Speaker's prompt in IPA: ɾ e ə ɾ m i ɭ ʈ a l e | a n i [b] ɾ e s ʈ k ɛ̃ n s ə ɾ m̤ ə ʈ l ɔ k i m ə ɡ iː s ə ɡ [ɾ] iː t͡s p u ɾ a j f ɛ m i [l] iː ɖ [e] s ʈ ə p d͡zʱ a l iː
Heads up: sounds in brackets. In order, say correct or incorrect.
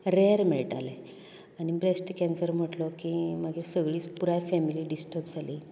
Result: correct, incorrect, correct, incorrect

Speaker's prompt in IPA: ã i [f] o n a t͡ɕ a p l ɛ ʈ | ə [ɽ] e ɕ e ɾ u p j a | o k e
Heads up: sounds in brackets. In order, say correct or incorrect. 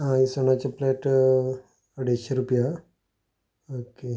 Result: incorrect, correct

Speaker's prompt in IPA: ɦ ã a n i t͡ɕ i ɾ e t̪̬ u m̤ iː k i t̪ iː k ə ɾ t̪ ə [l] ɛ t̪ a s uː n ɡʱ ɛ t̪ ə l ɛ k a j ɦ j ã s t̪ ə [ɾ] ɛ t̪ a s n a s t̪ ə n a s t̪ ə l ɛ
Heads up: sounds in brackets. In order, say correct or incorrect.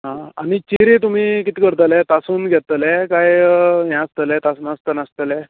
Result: correct, incorrect

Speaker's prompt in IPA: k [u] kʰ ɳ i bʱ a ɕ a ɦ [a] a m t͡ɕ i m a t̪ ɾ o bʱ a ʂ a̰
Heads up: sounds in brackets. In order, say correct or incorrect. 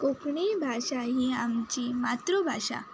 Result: incorrect, incorrect

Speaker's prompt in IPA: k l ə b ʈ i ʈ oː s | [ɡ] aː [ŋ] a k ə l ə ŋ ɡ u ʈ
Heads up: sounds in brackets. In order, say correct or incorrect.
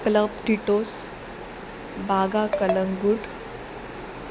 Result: incorrect, incorrect

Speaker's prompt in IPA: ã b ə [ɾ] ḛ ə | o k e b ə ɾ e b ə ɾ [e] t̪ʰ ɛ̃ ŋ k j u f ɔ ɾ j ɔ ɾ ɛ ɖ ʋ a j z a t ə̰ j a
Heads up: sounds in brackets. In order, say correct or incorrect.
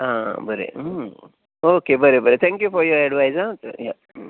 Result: correct, correct

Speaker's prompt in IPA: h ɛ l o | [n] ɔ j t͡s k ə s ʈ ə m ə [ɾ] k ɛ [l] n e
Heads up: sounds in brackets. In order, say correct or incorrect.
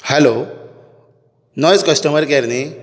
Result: correct, correct, incorrect

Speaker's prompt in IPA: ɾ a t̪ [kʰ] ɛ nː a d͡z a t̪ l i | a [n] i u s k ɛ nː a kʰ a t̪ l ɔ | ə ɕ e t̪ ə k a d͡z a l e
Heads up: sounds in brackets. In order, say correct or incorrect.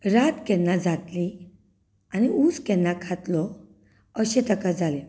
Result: incorrect, correct

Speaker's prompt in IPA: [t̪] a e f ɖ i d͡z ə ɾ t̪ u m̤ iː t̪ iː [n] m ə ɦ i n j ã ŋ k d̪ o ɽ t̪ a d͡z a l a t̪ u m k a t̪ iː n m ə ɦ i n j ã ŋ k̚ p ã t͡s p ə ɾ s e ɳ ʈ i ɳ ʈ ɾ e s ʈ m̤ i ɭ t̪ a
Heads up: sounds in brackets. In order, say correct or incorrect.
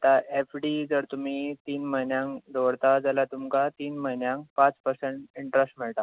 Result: correct, correct

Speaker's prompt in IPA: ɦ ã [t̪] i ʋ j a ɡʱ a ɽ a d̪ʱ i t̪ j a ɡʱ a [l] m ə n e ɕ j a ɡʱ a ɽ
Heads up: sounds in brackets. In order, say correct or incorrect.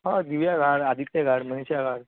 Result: incorrect, incorrect

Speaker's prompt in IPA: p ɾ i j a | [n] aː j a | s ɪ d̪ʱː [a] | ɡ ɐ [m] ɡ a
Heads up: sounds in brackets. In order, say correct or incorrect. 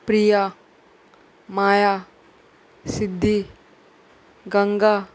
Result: incorrect, incorrect, incorrect

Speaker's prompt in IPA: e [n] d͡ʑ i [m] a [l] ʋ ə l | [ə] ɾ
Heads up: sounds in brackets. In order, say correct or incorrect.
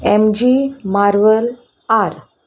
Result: incorrect, correct, incorrect, incorrect

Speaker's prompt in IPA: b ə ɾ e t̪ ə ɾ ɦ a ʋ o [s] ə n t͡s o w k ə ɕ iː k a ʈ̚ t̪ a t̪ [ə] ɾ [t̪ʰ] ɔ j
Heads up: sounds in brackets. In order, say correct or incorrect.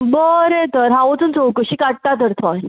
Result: incorrect, correct, correct

